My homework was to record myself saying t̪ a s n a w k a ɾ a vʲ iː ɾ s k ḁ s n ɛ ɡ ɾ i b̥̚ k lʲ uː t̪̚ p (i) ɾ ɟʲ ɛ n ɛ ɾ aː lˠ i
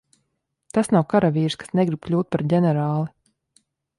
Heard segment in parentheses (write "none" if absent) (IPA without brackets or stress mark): a